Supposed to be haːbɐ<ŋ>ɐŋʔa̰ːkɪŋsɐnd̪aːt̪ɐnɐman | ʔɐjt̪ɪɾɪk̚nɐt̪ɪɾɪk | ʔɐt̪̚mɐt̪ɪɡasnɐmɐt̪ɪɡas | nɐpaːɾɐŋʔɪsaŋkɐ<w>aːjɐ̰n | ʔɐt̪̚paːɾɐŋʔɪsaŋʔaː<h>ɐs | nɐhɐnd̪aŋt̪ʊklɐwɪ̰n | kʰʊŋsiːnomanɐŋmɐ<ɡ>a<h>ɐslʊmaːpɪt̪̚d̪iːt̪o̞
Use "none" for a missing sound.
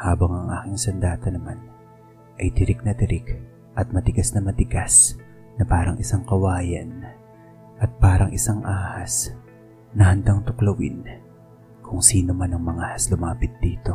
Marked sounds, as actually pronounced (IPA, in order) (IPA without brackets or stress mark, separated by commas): ŋ, w, h, ŋ, h